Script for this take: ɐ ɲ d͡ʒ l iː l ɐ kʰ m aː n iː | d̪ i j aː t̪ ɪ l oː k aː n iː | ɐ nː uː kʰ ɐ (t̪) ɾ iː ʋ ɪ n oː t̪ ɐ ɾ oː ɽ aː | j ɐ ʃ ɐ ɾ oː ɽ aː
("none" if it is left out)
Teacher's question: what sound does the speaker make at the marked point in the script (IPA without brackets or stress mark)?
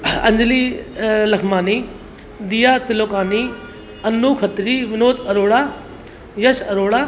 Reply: t̪